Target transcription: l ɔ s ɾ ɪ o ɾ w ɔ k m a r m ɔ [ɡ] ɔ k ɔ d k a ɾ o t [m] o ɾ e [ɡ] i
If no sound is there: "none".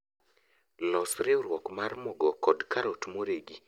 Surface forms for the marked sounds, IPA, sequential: ɡ, m, ɡ

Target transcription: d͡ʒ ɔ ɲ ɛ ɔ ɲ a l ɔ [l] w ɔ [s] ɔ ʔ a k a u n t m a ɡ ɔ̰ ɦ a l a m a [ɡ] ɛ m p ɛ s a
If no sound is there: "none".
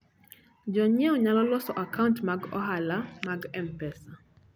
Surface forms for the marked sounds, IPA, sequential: l, s, ɡ

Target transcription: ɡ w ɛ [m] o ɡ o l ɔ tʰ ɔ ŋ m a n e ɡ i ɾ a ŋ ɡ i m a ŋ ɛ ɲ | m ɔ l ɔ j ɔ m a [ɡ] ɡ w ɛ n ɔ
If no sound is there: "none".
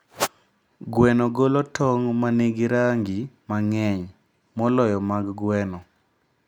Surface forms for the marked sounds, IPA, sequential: n, ɡ

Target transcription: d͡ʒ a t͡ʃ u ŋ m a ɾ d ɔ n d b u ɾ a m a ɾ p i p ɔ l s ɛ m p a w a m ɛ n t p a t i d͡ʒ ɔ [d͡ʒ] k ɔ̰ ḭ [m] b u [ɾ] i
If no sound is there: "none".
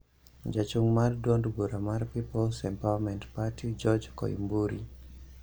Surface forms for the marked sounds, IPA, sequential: d͡ʒ, m, ɾ

